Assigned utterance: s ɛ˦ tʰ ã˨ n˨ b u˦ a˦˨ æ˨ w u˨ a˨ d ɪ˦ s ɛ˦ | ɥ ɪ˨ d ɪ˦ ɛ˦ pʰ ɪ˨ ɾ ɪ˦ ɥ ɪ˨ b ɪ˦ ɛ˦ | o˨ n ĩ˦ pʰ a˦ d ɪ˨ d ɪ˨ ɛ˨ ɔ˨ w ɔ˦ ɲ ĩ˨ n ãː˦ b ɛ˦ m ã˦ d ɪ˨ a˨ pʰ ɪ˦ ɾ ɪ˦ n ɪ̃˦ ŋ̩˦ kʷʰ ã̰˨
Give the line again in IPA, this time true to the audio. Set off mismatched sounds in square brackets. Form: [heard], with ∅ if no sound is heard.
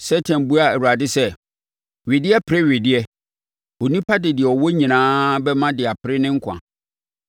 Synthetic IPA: s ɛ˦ tʰ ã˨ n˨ b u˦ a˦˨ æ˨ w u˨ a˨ d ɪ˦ s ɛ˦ | ɥ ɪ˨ d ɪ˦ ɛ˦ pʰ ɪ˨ ɾ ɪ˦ ɥ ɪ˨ [d] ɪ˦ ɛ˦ | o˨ n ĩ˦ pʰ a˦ d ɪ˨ d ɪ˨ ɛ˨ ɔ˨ w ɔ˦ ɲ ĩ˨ n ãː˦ b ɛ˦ m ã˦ d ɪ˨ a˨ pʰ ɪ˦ ɾ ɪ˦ n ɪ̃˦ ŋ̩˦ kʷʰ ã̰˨